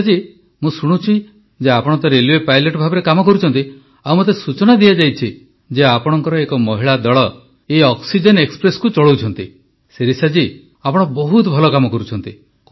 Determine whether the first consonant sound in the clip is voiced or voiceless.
voiced